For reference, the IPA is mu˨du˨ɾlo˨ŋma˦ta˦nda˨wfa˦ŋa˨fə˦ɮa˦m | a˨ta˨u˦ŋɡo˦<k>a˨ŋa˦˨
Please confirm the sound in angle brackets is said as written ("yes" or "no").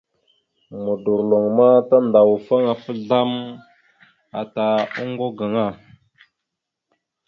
no